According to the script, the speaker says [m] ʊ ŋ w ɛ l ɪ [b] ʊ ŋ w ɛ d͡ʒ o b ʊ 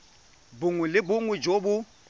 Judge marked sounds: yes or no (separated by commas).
no, yes